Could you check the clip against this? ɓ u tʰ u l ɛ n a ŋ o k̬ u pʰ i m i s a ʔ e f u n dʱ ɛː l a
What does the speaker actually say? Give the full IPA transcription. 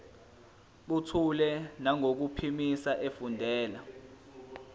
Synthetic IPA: ɓ u tʰ u l ɛ n a ŋ o k̬ u pʰ i m i s a ʔ e f u n dʱ ɛː l a